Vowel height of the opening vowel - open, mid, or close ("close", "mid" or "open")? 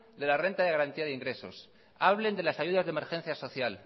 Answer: mid